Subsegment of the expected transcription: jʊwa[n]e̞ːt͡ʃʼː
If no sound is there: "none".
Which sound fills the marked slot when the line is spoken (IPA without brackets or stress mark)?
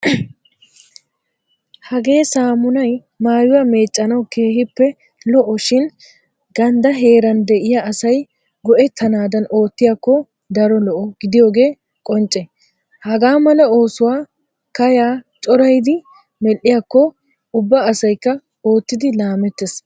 m